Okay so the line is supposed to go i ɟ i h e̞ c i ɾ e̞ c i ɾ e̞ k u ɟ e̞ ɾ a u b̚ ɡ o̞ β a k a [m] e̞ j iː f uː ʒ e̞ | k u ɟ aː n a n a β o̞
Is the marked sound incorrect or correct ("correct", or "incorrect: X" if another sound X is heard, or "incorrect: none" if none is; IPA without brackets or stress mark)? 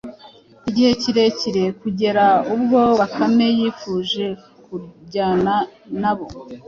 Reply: correct